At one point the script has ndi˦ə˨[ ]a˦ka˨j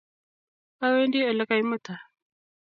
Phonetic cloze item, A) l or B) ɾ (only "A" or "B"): A